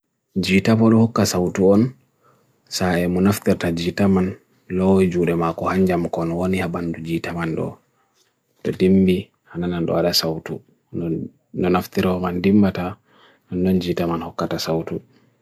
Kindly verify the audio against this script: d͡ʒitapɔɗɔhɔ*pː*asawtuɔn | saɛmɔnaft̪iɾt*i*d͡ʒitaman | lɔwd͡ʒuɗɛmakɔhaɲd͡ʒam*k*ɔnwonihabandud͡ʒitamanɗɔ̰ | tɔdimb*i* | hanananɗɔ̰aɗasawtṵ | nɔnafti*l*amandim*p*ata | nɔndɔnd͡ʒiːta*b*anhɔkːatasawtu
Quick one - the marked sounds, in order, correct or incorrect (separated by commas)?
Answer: incorrect, incorrect, correct, correct, incorrect, incorrect, incorrect